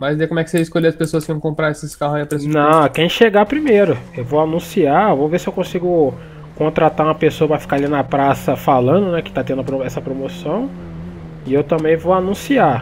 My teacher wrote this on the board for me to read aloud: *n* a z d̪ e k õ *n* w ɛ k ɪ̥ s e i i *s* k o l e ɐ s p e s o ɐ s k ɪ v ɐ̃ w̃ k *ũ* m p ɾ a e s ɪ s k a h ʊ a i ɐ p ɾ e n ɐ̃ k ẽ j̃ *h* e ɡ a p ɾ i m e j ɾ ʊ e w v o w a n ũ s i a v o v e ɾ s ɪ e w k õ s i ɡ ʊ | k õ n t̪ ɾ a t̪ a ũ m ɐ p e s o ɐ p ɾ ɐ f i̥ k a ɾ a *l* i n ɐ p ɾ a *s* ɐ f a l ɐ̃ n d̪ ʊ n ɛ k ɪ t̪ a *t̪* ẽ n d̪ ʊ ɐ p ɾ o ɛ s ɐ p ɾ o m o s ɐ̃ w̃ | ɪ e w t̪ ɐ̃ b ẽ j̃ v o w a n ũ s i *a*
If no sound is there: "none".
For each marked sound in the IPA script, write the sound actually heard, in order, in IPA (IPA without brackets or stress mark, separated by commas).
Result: m, m, s, õ, ʃ, l, s, t̪, a